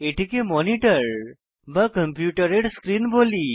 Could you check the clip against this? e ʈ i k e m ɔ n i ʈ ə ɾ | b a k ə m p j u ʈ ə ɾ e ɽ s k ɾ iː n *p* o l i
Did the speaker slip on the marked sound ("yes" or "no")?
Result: yes